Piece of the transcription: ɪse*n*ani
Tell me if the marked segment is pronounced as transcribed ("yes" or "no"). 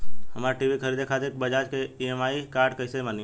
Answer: no